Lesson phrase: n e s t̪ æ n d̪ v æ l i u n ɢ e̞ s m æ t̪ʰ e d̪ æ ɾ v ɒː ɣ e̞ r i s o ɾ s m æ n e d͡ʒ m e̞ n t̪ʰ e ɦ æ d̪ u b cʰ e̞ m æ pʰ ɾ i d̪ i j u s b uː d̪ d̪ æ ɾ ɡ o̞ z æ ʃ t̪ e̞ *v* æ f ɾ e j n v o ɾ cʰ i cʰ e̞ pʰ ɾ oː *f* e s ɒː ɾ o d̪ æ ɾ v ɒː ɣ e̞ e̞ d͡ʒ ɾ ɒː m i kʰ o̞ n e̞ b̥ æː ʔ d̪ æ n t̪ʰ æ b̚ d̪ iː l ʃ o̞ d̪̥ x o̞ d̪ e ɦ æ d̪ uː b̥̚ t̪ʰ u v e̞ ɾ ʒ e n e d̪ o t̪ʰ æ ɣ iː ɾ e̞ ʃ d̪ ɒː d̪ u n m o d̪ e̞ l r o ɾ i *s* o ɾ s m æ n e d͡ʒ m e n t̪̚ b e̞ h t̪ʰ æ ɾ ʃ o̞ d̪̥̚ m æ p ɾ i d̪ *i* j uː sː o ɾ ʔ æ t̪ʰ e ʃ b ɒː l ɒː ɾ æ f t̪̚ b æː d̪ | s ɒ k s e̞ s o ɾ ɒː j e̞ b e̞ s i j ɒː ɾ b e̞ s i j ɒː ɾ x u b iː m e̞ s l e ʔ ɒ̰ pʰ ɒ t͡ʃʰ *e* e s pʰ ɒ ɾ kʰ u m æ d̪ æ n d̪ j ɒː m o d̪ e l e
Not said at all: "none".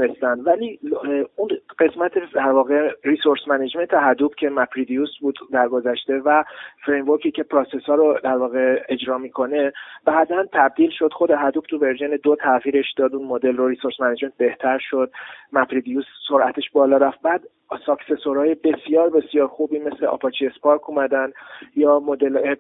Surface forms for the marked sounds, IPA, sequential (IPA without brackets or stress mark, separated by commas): v, s, s, i, i